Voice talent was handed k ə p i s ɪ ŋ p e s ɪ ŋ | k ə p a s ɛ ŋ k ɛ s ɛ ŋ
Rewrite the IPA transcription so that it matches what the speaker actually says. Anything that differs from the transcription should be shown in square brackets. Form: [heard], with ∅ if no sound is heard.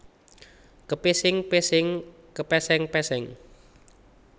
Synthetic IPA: k ə p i s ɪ ŋ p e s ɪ ŋ | k ə p [ɛ] s ɛ ŋ [p] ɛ s ɛ ŋ